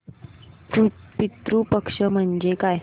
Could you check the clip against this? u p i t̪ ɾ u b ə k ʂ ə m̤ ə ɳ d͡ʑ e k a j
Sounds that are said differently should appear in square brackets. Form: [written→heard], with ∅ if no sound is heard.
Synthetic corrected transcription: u p i t̪ ɾ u [b→p] ə k ʂ ə m̤ ə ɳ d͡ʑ e k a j